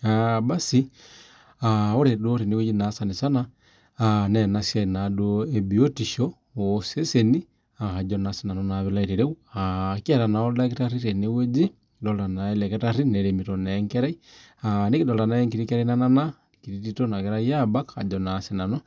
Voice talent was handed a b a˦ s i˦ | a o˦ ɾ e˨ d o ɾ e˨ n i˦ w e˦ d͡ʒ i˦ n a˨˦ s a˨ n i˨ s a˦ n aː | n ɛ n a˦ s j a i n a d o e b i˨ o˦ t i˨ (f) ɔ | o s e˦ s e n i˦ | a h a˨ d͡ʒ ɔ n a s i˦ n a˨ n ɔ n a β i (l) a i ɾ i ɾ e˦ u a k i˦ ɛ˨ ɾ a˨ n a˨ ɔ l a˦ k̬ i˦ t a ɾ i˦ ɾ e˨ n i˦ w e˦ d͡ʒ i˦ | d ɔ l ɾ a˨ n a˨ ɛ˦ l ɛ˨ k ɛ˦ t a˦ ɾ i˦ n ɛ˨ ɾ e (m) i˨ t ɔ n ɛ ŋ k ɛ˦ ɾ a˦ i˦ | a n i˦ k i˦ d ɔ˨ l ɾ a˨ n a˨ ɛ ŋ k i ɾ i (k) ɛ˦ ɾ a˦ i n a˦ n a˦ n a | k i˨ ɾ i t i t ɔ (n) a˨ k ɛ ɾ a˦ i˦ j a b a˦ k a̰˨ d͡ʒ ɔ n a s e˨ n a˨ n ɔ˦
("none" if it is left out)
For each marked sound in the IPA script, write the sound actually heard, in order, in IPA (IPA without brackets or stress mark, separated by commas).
ʃ, l, m, k, n